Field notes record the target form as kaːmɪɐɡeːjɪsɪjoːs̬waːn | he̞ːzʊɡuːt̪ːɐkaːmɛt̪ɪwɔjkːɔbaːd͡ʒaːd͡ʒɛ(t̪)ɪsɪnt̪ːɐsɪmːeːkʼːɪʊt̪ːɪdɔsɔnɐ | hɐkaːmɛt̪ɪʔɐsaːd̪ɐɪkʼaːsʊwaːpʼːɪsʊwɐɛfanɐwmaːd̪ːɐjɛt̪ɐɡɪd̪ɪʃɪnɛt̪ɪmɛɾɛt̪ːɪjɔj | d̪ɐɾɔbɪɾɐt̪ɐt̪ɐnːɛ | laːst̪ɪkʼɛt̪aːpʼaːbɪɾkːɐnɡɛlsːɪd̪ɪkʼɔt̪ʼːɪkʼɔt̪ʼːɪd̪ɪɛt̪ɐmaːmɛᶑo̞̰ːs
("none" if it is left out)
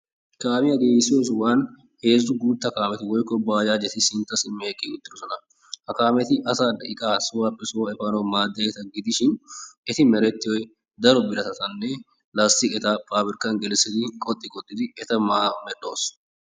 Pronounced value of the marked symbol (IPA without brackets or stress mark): t̪